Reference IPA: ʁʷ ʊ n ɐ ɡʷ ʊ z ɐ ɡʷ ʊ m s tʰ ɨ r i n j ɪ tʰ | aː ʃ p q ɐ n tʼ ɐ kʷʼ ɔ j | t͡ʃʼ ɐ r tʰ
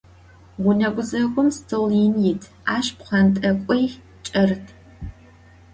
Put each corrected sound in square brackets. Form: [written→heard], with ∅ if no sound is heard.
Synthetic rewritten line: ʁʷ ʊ n ɐ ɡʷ ʊ z ɐ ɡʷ ʊ m s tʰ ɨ [r→l] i n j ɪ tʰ | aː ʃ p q ɐ n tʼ ɐ kʷʼ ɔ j | t͡ʃʼ ɐ r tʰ